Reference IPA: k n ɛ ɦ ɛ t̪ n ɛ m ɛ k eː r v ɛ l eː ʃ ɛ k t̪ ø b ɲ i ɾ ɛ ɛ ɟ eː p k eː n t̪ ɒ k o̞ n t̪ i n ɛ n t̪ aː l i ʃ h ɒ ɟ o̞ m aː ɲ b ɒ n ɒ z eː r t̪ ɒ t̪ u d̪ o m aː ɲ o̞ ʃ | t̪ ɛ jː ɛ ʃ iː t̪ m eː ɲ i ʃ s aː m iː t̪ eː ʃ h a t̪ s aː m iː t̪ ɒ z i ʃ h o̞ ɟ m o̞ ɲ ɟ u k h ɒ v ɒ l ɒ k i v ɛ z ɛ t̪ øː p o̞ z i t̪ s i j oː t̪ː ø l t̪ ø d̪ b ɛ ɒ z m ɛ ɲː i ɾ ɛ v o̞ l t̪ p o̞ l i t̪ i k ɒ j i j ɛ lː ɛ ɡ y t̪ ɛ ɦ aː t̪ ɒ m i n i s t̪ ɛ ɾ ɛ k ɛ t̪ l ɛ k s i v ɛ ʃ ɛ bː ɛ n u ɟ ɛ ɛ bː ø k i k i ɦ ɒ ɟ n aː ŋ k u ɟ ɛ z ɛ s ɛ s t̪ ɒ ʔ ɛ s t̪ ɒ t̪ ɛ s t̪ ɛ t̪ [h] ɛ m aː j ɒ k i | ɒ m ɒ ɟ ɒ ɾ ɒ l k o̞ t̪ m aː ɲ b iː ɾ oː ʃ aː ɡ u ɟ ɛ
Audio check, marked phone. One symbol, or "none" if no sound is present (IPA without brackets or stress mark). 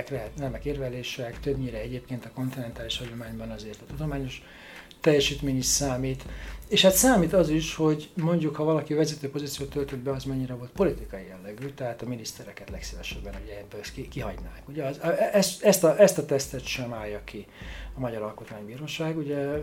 ʃ